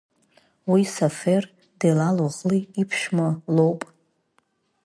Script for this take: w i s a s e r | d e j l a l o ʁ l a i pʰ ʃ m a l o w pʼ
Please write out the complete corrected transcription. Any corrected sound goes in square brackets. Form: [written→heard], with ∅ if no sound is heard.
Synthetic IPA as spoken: w i s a [s→f] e r | d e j l a l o ʁ l [a→i] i pʰ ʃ m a l o w pʼ